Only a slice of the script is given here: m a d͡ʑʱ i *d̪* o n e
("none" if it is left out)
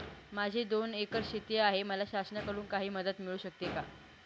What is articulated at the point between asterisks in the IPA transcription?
d̪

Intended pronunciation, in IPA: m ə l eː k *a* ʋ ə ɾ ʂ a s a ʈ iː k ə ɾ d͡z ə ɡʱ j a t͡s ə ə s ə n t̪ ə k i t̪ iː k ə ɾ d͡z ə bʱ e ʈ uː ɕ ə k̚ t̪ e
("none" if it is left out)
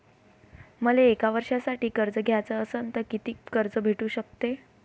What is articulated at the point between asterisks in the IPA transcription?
a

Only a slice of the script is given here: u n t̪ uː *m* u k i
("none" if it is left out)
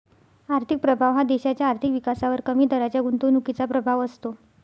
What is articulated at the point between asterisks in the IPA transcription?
n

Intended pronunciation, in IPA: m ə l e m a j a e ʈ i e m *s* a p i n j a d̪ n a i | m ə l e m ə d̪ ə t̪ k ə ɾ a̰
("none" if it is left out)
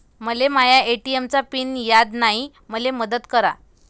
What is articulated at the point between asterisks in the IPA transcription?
t͡s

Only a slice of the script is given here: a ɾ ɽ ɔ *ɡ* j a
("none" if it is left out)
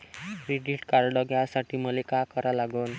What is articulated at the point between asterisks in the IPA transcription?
ɡ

